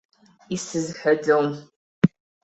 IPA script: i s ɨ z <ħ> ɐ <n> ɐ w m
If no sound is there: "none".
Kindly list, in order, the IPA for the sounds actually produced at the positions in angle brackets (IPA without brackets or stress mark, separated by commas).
ħ, d